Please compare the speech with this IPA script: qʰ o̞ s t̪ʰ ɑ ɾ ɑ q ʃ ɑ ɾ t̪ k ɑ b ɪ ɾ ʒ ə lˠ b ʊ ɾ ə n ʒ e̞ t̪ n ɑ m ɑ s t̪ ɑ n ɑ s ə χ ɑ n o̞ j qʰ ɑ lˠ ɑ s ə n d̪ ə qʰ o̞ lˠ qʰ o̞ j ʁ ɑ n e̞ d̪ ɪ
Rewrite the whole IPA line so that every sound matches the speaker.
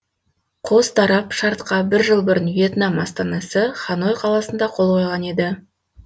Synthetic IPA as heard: qʰ o̞ s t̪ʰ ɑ ɾ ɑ p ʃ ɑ ɾ t̪ q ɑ b ɪ ɾ ʒ ə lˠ b ʊ ɾ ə n v e̞ t̪ n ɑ m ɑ s t̪ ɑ n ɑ s ə χ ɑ n o̞ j qʰ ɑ lˠ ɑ s ə n d̪ ɑ qʰ o̞ lˠ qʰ o̞ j ʁ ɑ n e̞ d̪ ɪ